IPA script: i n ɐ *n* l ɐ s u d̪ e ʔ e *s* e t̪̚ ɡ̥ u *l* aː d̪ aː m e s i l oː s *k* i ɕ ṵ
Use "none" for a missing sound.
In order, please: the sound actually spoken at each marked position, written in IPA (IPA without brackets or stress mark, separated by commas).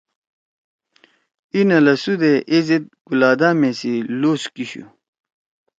none, z, l, k